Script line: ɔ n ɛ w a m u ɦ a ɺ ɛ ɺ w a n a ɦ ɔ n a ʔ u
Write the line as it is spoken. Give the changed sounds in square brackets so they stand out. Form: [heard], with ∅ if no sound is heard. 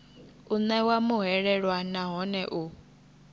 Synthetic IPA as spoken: [u] n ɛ w a m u ɦ [ɛ] ɺ ɛ ɺ w a n a ɦ ɔ n [ɛ] ʔ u